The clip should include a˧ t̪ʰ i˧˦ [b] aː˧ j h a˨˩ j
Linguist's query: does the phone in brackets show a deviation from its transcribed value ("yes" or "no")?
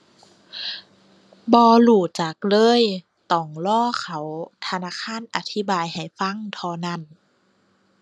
no